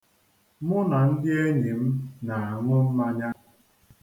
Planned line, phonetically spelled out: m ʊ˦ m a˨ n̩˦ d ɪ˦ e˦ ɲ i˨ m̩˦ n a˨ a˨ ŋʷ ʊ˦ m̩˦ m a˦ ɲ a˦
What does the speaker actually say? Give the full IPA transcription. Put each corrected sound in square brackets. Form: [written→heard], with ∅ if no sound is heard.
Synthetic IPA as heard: m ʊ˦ [m→n] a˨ n̩˦ d ɪ˦ e˦ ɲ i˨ m̩˦ n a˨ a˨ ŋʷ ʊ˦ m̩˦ m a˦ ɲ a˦